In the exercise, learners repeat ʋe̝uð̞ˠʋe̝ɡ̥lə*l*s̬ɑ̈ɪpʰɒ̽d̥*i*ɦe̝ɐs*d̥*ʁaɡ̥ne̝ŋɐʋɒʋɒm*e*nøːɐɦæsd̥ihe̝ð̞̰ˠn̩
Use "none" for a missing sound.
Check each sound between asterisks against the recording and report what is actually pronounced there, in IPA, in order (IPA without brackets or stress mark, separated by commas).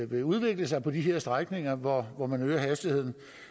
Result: none, i, d̥, æ